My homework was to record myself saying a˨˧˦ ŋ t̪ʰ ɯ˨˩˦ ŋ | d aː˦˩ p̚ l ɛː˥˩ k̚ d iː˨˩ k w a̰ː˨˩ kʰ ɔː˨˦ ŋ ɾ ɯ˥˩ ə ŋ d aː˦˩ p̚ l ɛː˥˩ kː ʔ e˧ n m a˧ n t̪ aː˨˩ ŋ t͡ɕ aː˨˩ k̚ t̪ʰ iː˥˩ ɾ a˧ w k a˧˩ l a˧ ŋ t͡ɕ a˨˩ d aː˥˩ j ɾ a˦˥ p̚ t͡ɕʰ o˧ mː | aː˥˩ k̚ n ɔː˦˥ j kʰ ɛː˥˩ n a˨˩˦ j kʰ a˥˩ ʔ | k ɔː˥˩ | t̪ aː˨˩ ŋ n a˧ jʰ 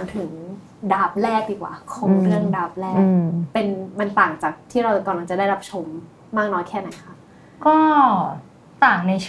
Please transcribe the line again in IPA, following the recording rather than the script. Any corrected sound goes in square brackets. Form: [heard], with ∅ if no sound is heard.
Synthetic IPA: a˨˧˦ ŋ t̪ʰ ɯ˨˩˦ ŋ | d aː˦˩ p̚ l ɛː˥˩ k̚ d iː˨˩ k w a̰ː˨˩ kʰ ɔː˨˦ ŋ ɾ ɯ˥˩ ə ŋ d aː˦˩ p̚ l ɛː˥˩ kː [p] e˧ n m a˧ n t̪ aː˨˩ ŋ t͡ɕ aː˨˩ k̚ t̪ʰ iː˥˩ ɾ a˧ w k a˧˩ l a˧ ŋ t͡ɕ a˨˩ d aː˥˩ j ɾ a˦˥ p̚ t͡ɕʰ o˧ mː | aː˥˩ k̚ n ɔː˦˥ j kʰ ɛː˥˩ n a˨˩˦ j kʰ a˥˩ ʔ | k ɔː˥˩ | t̪ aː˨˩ ŋ n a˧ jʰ